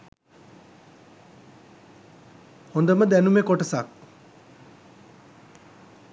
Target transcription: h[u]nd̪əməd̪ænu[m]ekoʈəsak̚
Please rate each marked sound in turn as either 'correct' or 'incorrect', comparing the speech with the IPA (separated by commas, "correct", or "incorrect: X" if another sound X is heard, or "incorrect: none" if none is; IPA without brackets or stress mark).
incorrect: o, correct